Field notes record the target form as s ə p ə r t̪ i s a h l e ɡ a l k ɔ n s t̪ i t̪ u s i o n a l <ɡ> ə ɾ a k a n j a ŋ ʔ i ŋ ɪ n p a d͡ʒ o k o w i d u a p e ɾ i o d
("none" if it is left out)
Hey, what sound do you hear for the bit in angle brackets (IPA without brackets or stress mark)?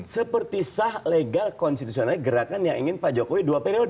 ɡ